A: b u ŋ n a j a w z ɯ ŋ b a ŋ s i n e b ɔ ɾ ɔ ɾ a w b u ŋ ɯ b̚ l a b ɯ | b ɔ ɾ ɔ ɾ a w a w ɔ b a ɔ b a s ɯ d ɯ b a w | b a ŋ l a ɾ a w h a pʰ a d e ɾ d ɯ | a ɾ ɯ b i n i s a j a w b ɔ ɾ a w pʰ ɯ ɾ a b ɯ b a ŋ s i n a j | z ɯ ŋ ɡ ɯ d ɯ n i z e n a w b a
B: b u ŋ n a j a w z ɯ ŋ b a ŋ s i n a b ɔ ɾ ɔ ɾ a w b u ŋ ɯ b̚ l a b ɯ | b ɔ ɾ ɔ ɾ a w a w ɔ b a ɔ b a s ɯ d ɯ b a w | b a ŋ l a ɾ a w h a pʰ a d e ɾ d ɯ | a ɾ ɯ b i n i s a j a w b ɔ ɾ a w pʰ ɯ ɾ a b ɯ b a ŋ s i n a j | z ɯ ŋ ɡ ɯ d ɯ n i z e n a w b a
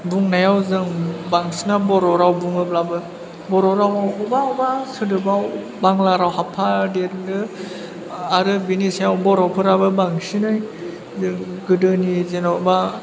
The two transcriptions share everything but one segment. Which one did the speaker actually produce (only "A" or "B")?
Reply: B